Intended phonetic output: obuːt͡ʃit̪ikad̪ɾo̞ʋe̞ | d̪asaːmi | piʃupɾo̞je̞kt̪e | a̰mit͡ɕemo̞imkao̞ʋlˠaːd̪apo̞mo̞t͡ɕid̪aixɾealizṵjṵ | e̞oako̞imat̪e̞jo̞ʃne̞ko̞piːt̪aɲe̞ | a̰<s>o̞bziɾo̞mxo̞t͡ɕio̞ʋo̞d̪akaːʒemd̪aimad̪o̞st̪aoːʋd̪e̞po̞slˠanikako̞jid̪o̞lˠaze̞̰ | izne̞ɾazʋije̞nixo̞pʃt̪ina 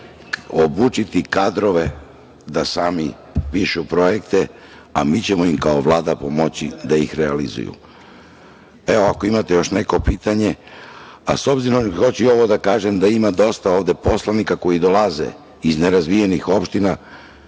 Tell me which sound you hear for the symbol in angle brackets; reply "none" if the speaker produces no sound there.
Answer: s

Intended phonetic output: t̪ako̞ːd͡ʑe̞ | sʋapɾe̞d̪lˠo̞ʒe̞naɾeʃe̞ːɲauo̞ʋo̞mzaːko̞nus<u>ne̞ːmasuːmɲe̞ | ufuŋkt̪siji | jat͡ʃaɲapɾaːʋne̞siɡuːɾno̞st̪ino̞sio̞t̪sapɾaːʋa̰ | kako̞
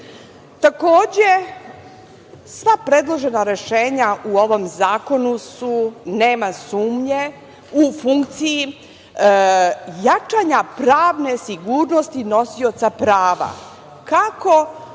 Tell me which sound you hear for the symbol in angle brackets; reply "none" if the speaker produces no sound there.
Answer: u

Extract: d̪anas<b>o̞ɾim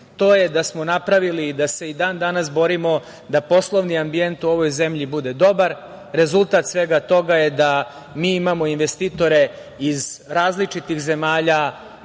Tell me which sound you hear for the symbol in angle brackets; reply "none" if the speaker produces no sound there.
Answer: b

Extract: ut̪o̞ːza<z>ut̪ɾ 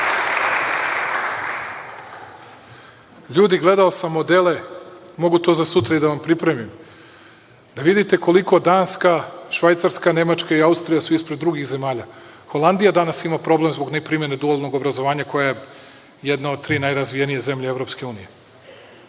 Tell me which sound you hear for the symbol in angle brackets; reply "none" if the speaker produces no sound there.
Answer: s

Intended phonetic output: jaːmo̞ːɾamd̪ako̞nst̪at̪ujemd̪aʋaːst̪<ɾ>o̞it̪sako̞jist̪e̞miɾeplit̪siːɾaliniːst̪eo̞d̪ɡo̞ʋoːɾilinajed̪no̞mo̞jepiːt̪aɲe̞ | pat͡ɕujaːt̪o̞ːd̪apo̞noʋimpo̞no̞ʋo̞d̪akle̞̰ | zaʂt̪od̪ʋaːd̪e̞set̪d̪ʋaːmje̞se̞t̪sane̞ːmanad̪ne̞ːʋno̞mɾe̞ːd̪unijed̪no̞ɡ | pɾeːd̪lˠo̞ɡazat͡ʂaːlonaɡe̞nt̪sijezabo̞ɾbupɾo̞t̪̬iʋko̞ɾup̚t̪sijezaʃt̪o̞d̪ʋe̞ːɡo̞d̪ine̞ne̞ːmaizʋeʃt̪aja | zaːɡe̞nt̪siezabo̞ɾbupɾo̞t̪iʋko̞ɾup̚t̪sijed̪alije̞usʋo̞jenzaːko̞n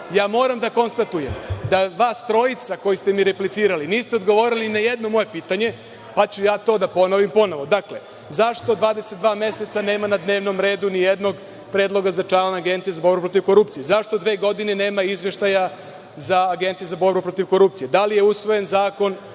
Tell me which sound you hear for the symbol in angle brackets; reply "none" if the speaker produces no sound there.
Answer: ɾ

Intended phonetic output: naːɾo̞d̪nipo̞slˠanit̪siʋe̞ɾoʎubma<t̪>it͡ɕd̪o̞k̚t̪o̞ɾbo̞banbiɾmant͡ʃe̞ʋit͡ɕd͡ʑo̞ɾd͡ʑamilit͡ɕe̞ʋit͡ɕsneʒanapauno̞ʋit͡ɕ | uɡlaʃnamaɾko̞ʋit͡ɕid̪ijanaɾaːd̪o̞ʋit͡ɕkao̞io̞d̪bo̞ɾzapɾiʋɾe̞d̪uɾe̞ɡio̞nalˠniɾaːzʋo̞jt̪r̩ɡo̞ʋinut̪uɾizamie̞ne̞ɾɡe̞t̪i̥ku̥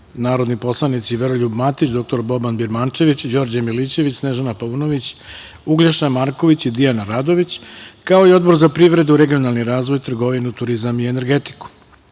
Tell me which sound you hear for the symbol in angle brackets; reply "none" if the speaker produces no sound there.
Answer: t̪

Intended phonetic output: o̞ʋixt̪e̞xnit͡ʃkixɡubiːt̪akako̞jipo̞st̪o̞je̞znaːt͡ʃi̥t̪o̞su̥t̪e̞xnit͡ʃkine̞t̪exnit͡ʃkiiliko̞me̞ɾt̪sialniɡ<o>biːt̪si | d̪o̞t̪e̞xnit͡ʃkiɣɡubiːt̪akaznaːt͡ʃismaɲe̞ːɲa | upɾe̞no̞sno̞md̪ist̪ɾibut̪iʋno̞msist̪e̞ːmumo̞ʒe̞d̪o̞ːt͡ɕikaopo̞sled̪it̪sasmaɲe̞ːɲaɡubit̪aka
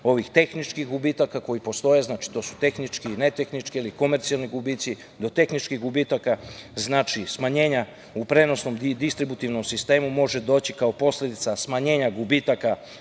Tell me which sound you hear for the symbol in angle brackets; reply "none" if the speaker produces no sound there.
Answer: u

